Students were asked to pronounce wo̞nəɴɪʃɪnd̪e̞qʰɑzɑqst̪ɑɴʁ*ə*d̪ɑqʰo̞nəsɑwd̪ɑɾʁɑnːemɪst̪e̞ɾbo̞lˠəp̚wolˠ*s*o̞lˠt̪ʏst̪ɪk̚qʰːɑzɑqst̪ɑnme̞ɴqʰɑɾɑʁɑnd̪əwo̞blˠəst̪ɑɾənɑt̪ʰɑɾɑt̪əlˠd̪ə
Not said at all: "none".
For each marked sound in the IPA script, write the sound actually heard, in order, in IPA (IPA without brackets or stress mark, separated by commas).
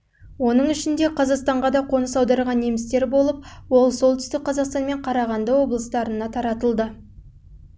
ɑ, s